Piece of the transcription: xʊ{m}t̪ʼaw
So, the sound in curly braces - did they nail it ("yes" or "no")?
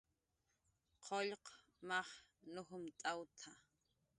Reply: yes